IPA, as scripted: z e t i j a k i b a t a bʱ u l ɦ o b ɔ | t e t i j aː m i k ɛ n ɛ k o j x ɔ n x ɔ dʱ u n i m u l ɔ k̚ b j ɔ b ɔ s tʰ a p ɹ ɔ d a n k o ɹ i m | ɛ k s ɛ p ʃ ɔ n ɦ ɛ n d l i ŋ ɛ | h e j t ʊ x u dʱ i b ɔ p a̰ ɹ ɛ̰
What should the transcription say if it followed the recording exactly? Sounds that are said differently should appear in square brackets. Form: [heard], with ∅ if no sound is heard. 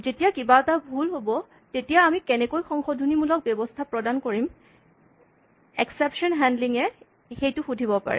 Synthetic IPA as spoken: z e t i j a k i b a t a bʱ u l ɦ o b ɔ | t e t i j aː m i k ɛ n ɛ k o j x ɔ [ŋ] x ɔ dʱ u n i m u l ɔ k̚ b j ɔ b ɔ s tʰ a p ɹ ɔ d a n k o ɹ i m | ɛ k s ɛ p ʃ ɔ n ɦ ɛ n d l i ŋ ɛ | [x] e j t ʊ x u dʱ i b ɔ p a̰ ɹ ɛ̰